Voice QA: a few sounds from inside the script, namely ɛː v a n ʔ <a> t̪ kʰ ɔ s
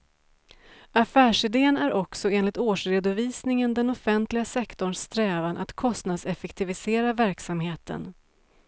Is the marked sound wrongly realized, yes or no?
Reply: no